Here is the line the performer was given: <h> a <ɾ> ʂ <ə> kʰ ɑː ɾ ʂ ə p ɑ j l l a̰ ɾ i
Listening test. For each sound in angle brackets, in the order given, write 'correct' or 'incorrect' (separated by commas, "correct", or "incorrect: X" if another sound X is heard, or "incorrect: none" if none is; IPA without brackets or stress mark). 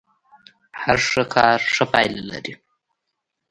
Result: correct, correct, correct